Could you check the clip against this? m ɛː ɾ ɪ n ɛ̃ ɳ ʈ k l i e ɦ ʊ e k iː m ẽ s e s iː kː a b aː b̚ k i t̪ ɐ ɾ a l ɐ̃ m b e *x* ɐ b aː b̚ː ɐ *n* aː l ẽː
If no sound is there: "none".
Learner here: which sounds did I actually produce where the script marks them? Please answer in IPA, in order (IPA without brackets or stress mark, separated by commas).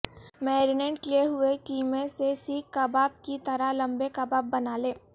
k, n